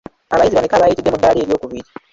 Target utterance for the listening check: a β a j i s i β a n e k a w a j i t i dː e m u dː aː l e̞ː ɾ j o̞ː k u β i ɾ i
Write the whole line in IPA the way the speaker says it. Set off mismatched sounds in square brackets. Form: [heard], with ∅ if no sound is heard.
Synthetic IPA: a β a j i [z] i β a n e k a [β] a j i t i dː e m u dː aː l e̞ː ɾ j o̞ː k u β i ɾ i